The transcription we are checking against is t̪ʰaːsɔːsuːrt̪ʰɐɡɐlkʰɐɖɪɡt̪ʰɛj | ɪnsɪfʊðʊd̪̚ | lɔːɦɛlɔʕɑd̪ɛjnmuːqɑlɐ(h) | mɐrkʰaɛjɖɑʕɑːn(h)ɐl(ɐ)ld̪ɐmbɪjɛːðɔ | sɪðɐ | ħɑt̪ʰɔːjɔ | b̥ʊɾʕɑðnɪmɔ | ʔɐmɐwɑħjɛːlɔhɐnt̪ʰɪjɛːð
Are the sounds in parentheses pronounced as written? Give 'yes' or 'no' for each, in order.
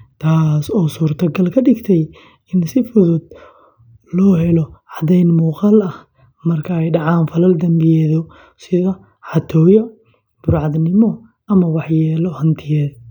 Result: yes, no, yes

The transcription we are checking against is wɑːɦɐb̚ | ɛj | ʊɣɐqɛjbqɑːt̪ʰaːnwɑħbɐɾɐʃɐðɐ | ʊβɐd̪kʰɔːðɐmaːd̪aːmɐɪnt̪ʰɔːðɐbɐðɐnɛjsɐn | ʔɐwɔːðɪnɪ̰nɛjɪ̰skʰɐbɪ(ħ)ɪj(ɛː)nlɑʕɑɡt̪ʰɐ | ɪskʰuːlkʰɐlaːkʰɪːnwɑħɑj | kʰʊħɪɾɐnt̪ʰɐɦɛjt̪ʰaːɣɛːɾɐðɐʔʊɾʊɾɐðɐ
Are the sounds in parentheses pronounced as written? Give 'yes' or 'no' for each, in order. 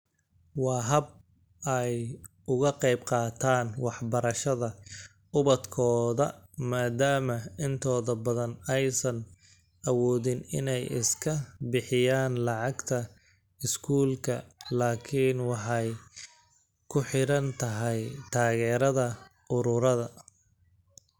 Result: yes, no

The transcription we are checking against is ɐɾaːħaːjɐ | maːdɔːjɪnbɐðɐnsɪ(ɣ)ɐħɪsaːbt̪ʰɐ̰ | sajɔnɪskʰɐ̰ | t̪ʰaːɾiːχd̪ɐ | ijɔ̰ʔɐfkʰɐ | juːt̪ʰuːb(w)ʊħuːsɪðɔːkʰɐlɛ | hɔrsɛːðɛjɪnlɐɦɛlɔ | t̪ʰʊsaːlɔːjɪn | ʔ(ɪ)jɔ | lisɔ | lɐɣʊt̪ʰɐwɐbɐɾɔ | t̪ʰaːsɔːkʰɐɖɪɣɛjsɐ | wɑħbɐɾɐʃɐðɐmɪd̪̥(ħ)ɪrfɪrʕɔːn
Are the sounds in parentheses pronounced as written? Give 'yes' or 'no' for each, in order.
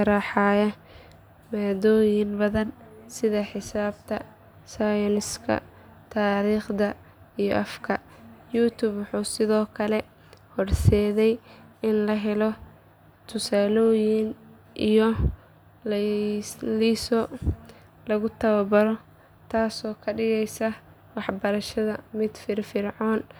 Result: no, yes, no, no

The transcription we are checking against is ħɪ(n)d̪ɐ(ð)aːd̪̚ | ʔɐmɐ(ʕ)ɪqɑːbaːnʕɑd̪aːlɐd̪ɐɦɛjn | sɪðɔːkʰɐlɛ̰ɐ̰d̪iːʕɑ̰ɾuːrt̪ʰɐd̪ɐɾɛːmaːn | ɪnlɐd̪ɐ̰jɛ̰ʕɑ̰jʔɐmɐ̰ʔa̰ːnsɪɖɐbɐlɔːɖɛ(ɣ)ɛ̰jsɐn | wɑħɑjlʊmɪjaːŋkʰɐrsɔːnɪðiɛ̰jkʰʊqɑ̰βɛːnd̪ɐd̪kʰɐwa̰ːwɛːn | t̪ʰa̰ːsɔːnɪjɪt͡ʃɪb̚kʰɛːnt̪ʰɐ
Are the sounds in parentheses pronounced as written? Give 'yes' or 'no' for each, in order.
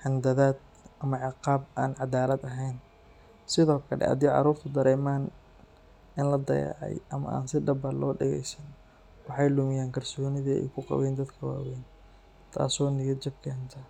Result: yes, yes, yes, yes

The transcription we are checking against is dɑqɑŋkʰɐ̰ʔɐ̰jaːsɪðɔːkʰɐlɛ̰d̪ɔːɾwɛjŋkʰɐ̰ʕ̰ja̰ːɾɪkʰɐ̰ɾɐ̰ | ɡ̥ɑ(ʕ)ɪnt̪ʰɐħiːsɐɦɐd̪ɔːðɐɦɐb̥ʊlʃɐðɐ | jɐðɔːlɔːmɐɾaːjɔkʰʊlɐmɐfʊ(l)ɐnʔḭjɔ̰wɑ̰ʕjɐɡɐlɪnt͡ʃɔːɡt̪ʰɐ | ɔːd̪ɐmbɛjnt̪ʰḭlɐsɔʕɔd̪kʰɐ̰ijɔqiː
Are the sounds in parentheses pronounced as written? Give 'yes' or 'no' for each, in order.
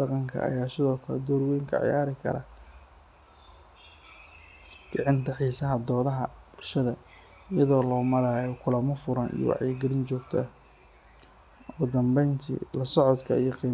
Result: yes, no

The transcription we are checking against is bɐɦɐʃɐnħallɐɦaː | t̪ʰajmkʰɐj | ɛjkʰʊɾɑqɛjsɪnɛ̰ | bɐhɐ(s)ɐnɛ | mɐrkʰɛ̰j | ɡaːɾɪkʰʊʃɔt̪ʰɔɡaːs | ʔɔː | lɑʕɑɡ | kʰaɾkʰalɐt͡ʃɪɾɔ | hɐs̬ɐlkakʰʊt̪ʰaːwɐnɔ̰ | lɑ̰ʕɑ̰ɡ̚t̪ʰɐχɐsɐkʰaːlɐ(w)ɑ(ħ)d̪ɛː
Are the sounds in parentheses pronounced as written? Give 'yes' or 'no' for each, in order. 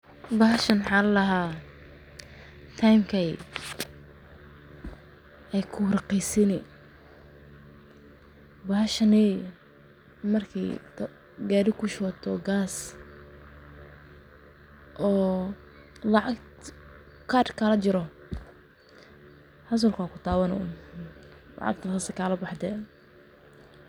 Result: no, no, yes

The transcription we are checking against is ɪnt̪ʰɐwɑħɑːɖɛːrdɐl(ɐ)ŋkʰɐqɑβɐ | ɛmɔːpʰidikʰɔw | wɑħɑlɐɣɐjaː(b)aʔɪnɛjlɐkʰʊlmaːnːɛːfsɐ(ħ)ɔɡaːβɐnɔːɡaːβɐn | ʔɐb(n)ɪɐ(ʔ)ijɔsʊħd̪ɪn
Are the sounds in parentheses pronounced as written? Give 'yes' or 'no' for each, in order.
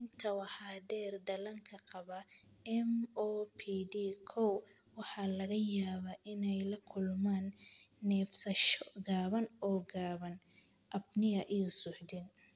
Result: yes, no, no, yes, yes

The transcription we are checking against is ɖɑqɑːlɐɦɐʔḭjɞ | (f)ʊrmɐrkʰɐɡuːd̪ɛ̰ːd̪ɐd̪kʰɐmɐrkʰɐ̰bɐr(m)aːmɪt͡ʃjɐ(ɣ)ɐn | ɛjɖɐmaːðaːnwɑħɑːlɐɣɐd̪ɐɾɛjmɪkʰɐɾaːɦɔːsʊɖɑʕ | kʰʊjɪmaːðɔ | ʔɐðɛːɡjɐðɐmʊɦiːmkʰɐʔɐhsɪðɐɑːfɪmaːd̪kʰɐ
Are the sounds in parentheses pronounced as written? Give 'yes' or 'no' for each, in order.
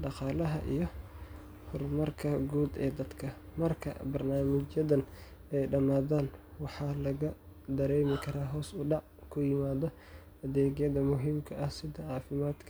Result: no, no, no

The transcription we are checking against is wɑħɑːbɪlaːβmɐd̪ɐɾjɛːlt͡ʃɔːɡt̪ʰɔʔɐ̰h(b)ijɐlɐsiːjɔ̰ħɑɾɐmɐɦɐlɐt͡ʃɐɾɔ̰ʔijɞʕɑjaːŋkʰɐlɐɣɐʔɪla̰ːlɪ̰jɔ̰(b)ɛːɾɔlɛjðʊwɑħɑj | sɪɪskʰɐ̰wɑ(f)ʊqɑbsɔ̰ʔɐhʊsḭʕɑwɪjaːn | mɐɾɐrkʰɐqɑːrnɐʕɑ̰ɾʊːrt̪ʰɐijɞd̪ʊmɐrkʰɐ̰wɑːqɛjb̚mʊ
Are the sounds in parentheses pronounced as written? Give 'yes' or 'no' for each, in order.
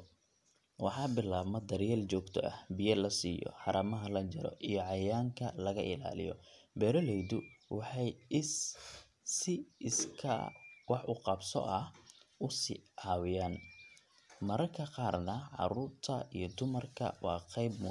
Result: yes, yes, no

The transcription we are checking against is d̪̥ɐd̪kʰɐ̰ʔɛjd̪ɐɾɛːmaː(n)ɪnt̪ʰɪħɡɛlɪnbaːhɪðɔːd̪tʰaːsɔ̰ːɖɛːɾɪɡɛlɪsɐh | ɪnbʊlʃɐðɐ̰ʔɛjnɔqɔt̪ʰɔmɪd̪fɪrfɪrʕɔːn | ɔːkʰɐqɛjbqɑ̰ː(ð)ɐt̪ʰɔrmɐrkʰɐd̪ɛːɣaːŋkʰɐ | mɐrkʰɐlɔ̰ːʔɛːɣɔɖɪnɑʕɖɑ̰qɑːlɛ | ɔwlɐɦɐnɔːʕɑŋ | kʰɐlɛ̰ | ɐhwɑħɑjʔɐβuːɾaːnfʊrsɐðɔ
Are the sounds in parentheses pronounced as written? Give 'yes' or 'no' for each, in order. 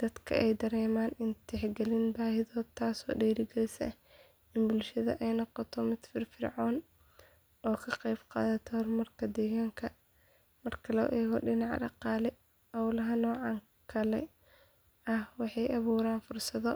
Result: yes, yes

